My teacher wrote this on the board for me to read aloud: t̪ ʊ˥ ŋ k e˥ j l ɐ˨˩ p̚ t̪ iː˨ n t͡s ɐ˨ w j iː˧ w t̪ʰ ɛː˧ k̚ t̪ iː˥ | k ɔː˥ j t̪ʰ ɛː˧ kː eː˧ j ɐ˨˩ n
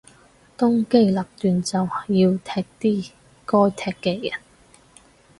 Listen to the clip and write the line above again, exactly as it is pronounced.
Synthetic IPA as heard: t̪ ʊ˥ ŋ k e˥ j l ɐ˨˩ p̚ t̪ yː˨ n t͡s ɐ˨ w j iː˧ w t̪ʰ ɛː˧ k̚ t̪ iː˥ | k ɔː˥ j t̪ʰ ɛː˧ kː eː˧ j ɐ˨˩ n